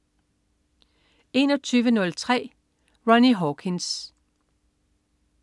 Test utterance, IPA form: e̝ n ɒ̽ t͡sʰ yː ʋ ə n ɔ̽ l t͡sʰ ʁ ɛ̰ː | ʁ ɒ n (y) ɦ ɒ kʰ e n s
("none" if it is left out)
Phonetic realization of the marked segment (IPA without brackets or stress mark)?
i